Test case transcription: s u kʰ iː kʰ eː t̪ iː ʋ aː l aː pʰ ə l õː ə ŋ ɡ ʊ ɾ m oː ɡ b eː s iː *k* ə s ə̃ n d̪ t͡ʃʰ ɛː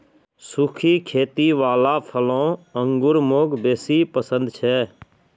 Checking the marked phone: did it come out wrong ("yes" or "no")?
yes